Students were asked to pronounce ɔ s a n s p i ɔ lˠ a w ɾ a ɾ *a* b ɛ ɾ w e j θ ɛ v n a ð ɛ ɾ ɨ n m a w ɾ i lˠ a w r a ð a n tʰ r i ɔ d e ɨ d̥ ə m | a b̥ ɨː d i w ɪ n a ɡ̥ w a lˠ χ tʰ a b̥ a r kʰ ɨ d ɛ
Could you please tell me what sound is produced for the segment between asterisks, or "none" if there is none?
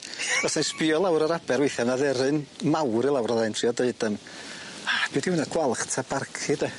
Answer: a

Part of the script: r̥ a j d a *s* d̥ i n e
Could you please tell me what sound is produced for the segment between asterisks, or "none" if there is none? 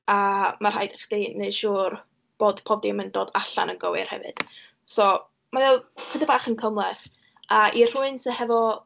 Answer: χ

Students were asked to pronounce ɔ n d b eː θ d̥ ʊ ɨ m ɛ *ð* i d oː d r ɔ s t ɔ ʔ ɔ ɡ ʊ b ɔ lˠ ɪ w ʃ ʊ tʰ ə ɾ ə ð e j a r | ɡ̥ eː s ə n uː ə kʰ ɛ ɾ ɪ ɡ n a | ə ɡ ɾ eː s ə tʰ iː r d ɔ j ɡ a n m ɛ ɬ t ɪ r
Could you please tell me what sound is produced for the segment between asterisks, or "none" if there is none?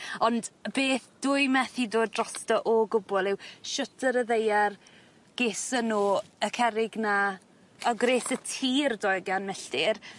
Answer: θ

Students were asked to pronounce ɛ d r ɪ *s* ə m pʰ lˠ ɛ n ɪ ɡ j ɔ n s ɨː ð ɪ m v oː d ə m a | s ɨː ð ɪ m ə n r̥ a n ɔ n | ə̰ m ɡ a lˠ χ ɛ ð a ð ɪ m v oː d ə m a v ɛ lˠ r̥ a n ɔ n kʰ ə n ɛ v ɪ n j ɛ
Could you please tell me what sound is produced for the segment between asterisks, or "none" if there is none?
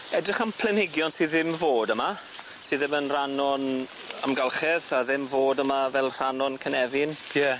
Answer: χ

